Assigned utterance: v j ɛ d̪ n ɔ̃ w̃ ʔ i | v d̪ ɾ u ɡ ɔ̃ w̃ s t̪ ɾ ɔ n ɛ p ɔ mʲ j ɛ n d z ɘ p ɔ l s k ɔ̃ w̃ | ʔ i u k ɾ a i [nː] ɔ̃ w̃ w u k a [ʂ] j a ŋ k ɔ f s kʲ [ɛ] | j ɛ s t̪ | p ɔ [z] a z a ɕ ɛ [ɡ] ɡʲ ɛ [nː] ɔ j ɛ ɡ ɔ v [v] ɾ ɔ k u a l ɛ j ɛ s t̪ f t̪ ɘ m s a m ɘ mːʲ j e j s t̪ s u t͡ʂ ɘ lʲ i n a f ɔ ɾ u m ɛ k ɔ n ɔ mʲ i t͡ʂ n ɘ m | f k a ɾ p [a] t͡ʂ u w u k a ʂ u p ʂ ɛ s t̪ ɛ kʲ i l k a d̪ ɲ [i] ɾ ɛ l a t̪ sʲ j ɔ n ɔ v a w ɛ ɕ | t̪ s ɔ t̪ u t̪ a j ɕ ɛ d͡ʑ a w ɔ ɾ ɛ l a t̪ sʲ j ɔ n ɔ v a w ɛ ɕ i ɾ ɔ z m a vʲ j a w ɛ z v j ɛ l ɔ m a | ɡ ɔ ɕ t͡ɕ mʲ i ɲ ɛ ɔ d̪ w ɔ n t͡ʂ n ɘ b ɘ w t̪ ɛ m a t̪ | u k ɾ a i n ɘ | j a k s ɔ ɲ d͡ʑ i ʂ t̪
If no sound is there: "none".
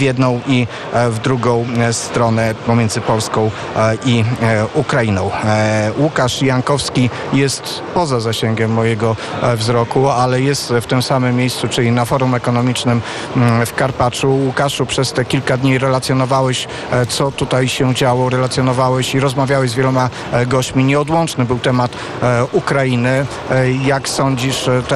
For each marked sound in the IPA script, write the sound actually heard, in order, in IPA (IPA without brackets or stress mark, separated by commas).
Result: n, ʂ, i, z, ŋ, mː, z, a, i